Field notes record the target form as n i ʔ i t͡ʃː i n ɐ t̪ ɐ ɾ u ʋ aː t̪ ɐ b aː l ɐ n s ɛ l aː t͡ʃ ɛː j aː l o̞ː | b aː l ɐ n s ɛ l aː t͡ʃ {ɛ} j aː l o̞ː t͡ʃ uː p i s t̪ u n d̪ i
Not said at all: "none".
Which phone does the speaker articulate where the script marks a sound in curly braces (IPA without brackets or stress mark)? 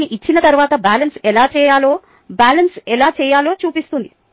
ɛː